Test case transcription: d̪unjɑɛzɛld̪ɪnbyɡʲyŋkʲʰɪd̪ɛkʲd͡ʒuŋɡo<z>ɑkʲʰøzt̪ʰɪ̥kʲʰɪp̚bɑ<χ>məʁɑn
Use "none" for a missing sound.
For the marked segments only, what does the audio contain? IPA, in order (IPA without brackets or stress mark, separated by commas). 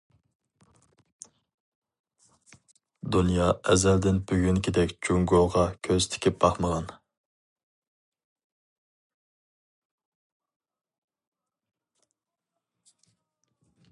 ʁ, χ